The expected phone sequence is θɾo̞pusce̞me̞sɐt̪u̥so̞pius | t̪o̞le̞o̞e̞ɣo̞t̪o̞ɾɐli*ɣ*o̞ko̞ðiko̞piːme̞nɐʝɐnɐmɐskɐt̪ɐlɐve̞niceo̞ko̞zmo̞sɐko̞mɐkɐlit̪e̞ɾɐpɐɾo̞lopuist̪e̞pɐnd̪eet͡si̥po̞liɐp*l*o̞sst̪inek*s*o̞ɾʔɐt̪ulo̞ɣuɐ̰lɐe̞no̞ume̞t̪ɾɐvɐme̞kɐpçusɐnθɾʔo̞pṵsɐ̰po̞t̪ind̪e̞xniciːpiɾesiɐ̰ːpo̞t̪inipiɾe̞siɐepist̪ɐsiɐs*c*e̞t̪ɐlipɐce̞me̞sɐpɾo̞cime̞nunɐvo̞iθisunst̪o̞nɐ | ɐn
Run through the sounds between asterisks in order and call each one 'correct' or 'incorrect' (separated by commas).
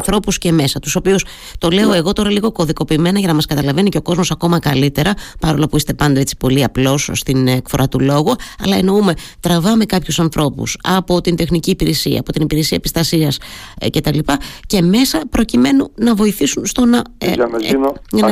correct, correct, incorrect, correct